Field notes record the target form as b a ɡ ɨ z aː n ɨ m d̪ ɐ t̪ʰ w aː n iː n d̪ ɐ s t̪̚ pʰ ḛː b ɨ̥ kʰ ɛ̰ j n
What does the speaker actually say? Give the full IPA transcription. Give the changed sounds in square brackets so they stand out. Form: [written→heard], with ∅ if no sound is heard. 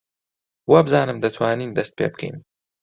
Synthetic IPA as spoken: [b→w] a [ɡ→b] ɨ z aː n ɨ m d̪ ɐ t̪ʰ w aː n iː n d̪ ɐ s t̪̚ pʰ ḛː b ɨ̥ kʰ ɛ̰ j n